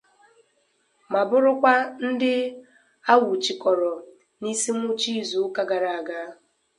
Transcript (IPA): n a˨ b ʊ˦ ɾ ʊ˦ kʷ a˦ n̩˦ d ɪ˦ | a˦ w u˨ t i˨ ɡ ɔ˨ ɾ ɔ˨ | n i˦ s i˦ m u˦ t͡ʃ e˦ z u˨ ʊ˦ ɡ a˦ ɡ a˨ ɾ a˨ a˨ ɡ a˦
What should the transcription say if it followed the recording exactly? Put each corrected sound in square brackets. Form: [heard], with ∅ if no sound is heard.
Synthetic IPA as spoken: [m] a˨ b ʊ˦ ɾ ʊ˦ kʷ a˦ n̩˦ d ɪ˦ | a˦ w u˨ [t͡ʃ] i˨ [k] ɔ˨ ɾ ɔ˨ | n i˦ s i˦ m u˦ t͡ʃ [i˦] z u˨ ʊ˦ [k] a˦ ɡ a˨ ɾ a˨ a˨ ɡ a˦